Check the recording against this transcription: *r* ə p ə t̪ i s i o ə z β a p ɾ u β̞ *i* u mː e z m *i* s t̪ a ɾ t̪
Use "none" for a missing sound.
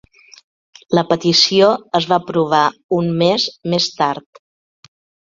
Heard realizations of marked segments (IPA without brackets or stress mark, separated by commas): l, a, e